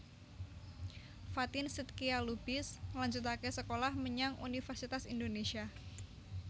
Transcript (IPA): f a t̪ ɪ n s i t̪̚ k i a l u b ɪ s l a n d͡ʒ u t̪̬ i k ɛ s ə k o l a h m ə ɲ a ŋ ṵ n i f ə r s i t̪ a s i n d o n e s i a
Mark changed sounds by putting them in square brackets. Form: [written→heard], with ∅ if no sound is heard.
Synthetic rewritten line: f a t̪ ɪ n s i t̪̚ k i a l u b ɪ s l a [n→ɲ] d͡ʒ u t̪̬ [i→a] k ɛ s ə k o l a h m ə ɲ a ŋ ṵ n i f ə r s i t̪ a s i n d o n e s i a